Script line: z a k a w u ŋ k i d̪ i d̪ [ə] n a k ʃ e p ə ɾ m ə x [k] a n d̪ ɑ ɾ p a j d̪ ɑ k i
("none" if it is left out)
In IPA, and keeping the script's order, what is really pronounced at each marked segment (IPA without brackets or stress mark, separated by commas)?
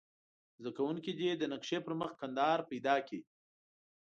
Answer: ə, k